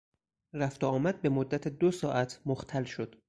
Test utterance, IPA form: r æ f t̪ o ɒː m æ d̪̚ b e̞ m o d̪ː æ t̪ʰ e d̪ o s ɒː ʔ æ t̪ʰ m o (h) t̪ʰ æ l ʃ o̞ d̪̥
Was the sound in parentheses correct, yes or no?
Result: no